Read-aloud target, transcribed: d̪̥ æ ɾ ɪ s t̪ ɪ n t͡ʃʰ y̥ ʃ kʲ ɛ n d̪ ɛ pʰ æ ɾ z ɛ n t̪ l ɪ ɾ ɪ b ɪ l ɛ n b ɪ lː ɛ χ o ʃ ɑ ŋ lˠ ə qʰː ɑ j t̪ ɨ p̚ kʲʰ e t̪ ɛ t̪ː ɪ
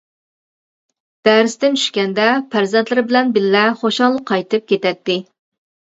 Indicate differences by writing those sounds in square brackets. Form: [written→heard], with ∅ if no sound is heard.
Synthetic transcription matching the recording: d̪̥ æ ɾ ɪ s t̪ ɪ n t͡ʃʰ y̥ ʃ kʲ ɛ n d̪ ɛ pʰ æ ɾ z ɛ n t̪ l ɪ ɾ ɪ b ɪ l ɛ n b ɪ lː ɛ χ o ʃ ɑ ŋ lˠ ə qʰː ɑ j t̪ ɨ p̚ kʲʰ e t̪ ɛ t̪ː ɪ